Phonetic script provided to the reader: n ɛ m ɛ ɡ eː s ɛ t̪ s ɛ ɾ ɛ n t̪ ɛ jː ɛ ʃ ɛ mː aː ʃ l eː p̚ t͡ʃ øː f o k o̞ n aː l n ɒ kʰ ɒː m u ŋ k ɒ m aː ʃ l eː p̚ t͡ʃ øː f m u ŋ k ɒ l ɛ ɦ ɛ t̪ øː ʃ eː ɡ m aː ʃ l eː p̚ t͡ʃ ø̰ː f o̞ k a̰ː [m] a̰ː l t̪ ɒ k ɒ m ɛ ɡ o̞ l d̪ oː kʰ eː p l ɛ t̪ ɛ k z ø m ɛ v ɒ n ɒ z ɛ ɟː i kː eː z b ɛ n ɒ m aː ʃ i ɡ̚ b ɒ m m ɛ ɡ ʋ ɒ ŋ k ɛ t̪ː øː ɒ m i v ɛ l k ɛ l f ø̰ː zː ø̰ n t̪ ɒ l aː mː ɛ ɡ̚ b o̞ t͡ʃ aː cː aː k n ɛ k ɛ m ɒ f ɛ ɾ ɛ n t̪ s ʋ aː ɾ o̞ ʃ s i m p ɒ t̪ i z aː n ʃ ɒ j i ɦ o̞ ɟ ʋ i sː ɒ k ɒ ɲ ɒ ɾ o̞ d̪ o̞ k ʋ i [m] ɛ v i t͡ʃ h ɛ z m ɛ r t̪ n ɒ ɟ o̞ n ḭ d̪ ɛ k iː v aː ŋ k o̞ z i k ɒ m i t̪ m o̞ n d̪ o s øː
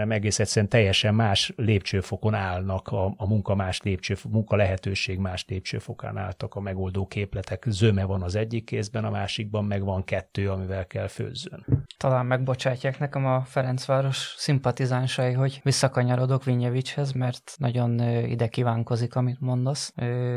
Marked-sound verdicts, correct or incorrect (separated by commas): incorrect, incorrect